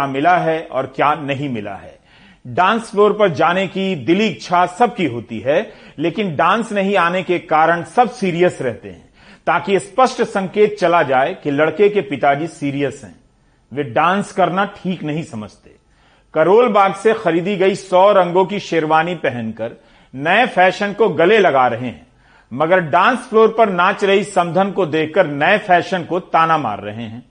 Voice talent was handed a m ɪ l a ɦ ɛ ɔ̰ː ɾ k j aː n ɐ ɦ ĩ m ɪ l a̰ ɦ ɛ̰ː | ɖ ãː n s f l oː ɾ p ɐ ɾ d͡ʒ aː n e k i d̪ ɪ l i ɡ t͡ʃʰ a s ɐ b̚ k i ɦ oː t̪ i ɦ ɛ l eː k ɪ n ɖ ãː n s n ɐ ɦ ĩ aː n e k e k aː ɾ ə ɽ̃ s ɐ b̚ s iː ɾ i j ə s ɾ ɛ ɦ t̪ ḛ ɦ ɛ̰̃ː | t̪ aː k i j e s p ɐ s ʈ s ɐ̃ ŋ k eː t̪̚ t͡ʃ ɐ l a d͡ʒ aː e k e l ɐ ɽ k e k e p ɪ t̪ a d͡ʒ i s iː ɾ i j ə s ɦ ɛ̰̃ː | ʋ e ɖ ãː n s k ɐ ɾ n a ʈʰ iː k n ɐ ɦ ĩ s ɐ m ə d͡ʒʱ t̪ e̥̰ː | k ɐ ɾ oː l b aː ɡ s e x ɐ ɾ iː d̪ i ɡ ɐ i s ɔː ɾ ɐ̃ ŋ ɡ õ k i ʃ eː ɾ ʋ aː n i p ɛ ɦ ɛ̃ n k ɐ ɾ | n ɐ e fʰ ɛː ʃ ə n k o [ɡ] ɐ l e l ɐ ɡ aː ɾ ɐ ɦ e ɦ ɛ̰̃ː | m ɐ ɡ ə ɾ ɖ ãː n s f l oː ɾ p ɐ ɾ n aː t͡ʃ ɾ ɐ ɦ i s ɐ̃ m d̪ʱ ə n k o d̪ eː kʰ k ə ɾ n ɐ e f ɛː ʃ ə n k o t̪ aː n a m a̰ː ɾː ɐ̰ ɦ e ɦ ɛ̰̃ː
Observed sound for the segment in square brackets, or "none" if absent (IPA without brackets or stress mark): ɡ